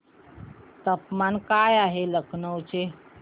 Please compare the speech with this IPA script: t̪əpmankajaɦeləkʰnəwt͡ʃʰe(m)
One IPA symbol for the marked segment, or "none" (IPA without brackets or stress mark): none